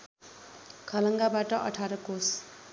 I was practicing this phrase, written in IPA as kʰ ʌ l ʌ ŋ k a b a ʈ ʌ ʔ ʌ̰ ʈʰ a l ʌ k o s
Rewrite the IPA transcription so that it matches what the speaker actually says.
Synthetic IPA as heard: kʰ ʌ l ʌ ŋ ɡ a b a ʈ ʌ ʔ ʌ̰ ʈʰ a ɾ ʌ k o s